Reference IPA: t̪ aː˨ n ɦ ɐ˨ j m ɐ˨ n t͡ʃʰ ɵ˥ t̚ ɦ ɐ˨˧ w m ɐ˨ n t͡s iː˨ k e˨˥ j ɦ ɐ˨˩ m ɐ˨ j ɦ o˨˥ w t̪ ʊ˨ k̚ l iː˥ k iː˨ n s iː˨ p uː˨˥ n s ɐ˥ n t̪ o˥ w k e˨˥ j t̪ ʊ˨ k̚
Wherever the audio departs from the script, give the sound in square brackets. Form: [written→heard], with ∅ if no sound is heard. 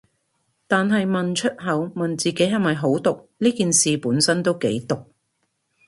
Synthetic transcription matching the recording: t̪ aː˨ n ɦ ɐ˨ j m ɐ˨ n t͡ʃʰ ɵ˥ t̚ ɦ ɐ˨˧ w m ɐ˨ n t͡s iː˨ k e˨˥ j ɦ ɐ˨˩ m ɐ˨ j ɦ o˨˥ w t̪ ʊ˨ k̚ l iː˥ k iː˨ n s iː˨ p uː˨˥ n s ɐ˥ n t̪ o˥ w k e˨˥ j t̪ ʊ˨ k̚